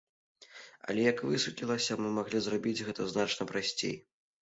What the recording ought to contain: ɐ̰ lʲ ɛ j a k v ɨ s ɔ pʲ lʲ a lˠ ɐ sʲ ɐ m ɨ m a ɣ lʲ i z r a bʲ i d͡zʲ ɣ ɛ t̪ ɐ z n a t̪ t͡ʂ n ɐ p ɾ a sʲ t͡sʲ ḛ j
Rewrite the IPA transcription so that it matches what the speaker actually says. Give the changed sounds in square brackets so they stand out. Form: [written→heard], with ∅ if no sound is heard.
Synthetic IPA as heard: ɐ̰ lʲ ɛ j [a→ɐ] k v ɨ s [ɔ→u] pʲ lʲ [a→i] lˠ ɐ sʲ ɐ m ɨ m a ɣ lʲ i z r a bʲ i d͡zʲ ɣ ɛ t̪ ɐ z n a [t̪→∅] t͡ʂ n ɐ p ɾ a sʲ t͡sʲ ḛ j